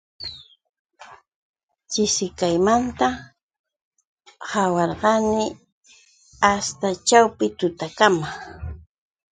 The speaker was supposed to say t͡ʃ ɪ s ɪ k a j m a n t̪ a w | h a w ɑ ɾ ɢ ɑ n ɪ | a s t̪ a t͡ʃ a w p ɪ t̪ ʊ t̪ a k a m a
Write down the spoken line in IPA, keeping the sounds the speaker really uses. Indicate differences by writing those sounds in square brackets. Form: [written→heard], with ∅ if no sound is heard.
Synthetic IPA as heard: t͡ʃ ɪ s ɪ k a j m a n t̪ a [w→∅] | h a w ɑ ɾ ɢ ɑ n ɪ | a s t̪ a t͡ʃ a w p ɪ t̪ ʊ t̪ a k a m a